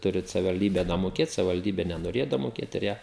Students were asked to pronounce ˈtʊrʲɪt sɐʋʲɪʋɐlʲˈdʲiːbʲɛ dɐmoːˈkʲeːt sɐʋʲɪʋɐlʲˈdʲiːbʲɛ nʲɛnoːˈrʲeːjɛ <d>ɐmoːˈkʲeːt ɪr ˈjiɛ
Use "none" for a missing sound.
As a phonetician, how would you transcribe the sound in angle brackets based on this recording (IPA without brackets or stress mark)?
d